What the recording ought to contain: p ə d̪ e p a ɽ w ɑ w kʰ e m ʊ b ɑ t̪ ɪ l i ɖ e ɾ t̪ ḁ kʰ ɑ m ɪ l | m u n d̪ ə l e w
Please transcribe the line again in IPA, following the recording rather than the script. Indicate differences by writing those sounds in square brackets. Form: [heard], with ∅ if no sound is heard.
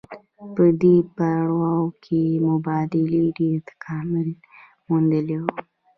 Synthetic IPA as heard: p ə d̪ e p a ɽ w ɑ w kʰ e m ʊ b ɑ [d̪] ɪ l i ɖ e ɾ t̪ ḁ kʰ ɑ m ɪ l | m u n d̪ ə l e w